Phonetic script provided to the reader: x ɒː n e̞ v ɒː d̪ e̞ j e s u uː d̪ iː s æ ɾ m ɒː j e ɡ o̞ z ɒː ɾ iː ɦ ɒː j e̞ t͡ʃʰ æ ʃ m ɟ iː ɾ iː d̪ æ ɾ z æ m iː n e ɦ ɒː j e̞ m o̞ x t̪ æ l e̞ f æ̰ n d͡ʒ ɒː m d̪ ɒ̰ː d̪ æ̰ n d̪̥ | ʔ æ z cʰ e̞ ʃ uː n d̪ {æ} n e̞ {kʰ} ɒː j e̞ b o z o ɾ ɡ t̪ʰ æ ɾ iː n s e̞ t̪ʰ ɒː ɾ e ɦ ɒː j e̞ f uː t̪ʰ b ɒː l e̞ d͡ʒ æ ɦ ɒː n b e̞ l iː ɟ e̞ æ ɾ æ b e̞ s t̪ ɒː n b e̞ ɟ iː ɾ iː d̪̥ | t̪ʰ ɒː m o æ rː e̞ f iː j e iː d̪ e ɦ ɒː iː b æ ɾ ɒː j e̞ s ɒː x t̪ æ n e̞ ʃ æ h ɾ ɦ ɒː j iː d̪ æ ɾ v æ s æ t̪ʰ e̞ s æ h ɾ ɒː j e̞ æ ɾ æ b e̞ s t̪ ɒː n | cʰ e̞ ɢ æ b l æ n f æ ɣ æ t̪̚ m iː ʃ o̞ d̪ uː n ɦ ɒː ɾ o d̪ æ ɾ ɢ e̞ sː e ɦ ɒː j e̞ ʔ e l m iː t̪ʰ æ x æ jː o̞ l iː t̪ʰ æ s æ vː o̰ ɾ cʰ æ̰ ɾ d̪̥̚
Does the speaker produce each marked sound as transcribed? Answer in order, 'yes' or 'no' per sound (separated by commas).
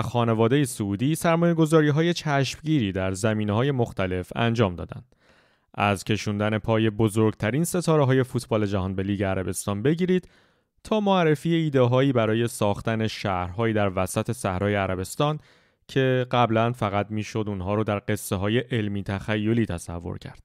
yes, no